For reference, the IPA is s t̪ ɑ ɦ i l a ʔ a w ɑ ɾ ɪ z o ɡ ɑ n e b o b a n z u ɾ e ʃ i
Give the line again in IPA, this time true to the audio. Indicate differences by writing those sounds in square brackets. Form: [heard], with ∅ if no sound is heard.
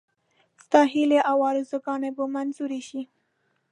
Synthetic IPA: s t̪ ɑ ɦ i l [e] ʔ a w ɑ ɾ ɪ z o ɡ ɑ n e b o [m] a n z u ɾ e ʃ i